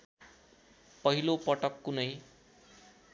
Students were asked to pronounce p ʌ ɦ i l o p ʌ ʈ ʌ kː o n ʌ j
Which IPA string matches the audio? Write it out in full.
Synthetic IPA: p ʌ ɦ i l o p ʌ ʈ ʌ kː u n ʌ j